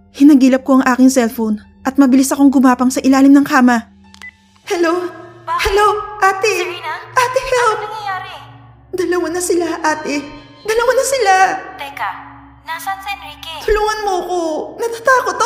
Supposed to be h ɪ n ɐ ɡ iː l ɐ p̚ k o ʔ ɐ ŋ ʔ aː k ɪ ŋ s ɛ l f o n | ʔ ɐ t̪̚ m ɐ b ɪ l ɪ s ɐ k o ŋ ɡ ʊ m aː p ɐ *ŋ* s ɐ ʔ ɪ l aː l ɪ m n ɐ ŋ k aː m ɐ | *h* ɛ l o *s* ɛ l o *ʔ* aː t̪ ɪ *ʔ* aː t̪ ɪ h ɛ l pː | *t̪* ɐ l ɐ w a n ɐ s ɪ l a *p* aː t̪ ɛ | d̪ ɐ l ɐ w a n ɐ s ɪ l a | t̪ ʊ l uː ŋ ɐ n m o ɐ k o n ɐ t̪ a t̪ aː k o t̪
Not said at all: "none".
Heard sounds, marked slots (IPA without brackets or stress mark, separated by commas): ŋ, h, h, ʔ, ʔ, d̪, ʔ